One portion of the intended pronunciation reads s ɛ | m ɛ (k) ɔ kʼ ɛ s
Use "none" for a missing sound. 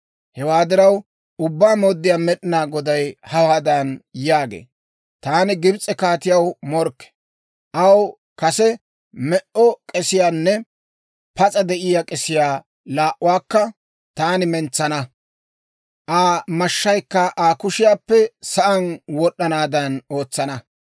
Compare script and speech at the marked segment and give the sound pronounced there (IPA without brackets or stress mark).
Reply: ʔ